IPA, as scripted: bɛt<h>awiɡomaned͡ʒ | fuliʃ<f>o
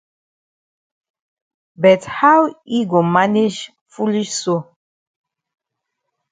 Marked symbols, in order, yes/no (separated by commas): yes, no